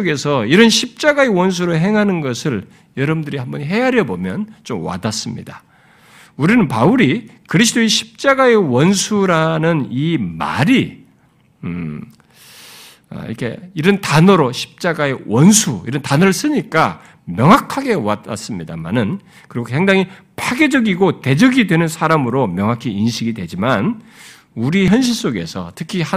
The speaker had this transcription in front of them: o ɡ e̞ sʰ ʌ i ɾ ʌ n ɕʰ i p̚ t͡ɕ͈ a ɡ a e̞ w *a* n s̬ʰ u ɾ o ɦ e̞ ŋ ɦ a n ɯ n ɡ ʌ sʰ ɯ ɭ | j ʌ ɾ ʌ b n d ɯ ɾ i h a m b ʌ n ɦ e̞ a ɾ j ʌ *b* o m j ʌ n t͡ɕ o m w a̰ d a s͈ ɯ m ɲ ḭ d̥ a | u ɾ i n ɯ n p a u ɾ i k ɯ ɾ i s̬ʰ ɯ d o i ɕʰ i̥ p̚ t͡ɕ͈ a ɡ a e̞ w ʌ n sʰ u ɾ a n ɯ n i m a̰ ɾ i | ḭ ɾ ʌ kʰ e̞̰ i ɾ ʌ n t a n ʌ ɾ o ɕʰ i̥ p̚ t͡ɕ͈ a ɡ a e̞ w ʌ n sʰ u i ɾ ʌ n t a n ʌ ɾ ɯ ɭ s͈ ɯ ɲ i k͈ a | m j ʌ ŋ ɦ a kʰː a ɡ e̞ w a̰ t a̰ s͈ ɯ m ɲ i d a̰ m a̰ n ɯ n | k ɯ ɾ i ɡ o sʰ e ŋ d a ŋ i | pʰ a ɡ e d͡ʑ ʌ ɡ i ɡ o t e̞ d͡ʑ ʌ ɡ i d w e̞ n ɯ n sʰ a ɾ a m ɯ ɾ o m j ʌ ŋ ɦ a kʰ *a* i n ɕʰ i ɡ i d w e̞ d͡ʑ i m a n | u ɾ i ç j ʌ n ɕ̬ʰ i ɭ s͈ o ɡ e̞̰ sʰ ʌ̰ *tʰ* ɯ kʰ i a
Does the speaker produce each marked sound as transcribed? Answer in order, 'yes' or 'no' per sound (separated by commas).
no, yes, no, yes